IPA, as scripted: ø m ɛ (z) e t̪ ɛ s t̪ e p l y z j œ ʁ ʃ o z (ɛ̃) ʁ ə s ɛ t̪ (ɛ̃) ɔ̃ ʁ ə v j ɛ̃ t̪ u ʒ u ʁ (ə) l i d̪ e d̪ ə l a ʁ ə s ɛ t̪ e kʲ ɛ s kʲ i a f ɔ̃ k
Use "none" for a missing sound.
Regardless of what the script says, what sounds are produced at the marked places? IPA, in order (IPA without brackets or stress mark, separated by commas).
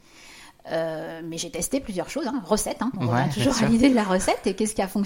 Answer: ʒ, ɛ̃, ɛ̃, a